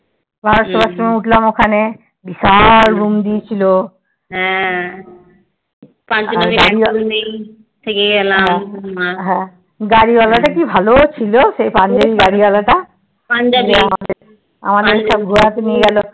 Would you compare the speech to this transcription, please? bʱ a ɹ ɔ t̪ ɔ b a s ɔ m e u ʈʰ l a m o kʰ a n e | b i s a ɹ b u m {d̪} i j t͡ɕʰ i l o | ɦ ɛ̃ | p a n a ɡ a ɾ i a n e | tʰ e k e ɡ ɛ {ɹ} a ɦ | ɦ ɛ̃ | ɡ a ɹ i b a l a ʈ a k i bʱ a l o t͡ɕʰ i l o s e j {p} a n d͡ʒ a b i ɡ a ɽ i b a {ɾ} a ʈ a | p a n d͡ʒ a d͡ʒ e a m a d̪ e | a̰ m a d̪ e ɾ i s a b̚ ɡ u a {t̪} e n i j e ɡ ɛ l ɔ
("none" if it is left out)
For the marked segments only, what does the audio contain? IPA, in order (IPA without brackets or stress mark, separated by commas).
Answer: d̪, l, p, l, t̪